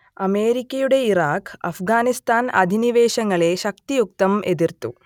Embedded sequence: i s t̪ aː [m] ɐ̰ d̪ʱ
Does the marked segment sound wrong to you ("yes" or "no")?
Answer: yes